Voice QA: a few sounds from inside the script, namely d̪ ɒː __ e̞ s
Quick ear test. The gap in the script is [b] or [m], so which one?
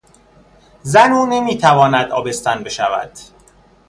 b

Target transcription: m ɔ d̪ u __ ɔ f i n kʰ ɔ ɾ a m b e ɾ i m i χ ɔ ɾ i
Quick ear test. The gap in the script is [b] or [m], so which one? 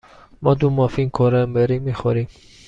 m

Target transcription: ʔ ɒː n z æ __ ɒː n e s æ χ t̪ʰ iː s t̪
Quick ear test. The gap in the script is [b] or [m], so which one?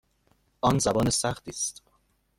b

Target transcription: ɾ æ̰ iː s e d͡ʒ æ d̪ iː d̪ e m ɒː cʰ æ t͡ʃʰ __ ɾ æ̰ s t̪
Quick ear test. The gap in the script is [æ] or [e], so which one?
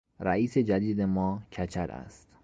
æ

